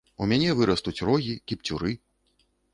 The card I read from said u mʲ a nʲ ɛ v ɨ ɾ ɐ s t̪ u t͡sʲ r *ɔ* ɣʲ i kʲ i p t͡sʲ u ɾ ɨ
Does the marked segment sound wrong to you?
no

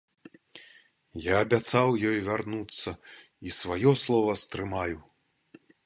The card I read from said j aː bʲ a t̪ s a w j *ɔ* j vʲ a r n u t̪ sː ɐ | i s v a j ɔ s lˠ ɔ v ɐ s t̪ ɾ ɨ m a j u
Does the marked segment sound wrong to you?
no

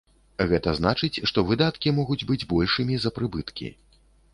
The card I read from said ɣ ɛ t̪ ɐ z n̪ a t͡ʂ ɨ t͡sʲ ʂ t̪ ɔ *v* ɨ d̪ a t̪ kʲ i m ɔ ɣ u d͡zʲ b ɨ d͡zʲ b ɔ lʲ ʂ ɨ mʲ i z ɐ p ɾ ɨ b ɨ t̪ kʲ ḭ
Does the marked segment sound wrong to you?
no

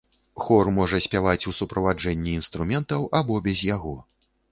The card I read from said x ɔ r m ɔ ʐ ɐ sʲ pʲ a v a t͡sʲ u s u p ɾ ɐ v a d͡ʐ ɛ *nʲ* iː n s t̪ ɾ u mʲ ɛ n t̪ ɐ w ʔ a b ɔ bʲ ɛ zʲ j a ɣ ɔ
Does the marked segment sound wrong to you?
yes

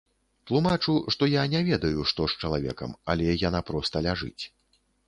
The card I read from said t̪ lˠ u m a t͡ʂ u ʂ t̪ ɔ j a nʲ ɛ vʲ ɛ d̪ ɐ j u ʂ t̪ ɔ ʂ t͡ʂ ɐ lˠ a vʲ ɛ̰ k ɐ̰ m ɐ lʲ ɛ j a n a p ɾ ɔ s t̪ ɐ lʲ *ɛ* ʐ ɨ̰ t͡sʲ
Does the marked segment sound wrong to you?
yes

